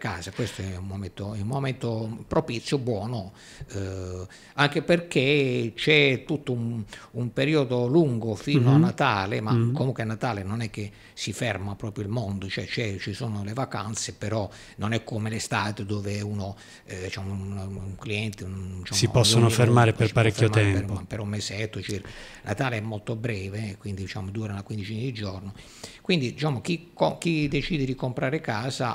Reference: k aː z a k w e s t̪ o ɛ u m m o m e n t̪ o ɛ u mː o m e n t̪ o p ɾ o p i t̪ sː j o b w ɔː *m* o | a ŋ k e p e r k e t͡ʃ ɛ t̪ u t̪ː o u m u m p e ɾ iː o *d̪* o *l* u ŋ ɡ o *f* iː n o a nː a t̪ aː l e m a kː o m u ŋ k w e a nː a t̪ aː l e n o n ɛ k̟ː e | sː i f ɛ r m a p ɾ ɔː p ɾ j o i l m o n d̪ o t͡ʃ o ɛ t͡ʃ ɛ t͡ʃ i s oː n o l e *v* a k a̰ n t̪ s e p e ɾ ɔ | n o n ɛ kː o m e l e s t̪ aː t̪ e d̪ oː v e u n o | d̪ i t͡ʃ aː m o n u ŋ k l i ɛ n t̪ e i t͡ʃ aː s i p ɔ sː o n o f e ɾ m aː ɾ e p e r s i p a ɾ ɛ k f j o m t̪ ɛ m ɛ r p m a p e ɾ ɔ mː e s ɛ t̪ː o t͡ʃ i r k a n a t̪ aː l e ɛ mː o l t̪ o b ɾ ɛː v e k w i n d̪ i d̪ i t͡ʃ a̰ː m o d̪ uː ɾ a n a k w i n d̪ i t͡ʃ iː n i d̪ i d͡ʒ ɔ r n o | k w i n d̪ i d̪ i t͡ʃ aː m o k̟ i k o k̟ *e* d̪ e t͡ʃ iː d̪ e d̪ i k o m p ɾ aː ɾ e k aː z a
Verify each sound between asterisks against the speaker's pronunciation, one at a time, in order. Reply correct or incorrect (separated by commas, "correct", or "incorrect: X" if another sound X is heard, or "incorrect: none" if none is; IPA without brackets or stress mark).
incorrect: n, correct, correct, correct, correct, incorrect: i